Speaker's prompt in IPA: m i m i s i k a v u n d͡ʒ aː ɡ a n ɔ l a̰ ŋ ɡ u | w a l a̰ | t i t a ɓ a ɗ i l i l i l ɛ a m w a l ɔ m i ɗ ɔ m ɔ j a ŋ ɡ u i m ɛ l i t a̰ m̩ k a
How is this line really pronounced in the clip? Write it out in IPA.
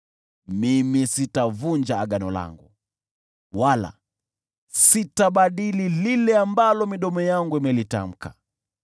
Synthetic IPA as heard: m i m i s i t a v u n d͡ʒ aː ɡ a n ɔ l a̰ ŋ ɡ u | w a l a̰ | s i t a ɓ a ɗ i l i l i l ɛ a m b a l ɔ m i ɗ ɔ m ɔ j a ŋ ɡ u i m ɛ l i t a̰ m̩ k a